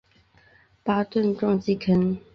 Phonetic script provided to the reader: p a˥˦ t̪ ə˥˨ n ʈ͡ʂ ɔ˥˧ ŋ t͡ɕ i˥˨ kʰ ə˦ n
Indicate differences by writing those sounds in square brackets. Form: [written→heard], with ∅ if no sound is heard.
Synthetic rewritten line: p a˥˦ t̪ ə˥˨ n ʈ͡ʂ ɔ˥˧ ŋ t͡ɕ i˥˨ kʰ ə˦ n